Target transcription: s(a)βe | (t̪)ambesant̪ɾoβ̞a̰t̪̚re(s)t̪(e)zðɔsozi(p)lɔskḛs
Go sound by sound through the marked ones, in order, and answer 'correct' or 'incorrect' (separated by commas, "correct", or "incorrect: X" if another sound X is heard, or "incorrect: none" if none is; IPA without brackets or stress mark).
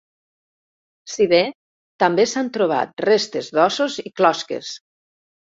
incorrect: i, correct, correct, correct, incorrect: k